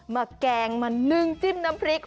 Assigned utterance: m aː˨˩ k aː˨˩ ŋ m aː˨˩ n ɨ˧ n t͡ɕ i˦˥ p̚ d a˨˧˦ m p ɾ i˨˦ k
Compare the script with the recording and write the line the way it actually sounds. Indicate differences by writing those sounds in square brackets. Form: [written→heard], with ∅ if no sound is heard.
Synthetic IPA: m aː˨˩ k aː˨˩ ŋ m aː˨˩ n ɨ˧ [n→ŋ] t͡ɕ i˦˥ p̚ [d→n] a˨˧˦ m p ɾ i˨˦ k